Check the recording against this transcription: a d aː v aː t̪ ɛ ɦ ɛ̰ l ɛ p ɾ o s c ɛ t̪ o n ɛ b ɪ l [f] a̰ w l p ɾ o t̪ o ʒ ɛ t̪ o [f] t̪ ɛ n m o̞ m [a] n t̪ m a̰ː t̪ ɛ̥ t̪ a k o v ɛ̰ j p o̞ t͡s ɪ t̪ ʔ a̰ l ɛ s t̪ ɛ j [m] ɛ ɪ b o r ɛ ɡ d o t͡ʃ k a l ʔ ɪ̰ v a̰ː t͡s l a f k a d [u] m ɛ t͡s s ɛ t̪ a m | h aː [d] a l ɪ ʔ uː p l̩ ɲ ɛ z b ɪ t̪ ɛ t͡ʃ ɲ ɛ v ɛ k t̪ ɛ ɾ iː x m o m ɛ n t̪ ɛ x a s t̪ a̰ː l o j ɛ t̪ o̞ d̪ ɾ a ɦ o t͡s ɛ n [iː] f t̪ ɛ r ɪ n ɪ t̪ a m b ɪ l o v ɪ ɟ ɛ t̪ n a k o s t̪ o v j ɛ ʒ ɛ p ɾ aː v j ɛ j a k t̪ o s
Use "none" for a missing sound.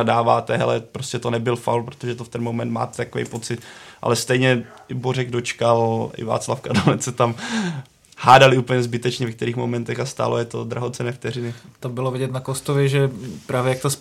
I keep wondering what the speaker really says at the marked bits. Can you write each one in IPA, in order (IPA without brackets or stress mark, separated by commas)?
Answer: f, f, ɛ, ɲ, o, d, ɛː